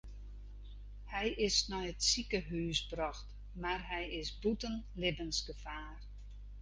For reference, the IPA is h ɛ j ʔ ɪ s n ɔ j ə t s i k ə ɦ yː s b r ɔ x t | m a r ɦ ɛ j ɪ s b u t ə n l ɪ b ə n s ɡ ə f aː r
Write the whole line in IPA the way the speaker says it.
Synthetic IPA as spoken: h ɛ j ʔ ɪ s n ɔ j ə t s i k ə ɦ yː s b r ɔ x t | m a r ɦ ɛ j ɪ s b u t ə n l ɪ b ə n s ɡ ə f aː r